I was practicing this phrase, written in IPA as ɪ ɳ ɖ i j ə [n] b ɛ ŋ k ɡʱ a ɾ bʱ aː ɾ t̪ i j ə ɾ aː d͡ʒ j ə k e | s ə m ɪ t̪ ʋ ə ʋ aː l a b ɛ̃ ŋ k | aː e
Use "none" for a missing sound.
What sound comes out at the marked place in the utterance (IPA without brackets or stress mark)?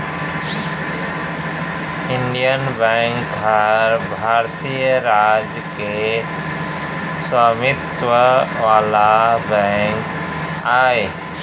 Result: n